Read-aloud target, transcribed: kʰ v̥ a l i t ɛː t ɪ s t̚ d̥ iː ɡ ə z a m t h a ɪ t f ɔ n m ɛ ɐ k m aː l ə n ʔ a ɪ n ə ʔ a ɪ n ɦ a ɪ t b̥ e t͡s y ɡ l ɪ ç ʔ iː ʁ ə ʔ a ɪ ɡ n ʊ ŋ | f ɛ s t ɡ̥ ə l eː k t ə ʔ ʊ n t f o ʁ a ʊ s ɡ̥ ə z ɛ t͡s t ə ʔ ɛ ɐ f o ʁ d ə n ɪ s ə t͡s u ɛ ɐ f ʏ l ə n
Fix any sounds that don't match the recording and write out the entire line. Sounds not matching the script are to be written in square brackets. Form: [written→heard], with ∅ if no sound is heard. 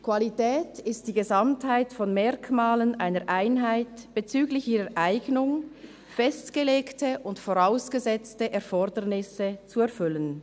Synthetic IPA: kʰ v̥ a l i t ɛː t ɪ s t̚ d̥ iː ɡ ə z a m t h a ɪ t f ɔ n m ɛ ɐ k m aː l ə n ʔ a ɪ n ə ʔ a ɪ n ɦ a ɪ t b̥ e t͡s [y→yː] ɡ l ɪ ç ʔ iː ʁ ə ʔ a ɪ ɡ n ʊ ŋ | f ɛ s t ɡ̥ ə l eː k t ə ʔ ʊ n t f o ʁ a ʊ s ɡ̥ ə z ɛ t͡s t ə ʔ ɛ ɐ f [o→ɔ] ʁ d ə n ɪ s ə t͡s u ɛ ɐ f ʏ l ə n